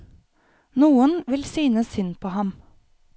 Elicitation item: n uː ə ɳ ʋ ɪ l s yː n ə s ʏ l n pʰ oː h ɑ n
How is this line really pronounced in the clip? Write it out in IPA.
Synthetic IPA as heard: n uː ə n ʋ ɪ l s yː n ə s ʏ n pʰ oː h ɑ m